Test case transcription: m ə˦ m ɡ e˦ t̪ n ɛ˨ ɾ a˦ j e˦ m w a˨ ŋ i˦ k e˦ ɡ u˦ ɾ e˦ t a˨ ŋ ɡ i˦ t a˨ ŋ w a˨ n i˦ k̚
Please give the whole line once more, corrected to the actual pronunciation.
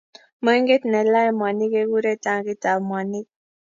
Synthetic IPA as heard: m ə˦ ŋ ɡ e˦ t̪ n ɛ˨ l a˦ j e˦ m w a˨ n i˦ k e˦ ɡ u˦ ɾ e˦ t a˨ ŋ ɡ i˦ t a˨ m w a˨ n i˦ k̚